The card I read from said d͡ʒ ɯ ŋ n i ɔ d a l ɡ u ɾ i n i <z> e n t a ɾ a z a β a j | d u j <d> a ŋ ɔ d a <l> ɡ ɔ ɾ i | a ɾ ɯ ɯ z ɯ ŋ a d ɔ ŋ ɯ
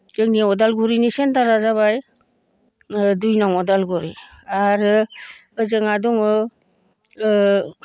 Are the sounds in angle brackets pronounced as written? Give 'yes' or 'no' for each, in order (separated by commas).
no, no, yes